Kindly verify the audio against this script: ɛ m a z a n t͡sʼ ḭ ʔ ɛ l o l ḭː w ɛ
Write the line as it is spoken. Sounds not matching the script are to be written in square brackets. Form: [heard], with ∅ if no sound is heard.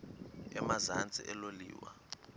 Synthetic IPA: ɛ m a z a n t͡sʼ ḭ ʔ ɛ l o l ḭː w [a]